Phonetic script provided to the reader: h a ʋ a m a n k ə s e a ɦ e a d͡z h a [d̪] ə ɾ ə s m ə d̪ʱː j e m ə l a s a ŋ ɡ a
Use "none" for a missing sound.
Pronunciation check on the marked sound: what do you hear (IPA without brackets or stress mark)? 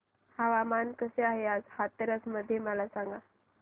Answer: t̪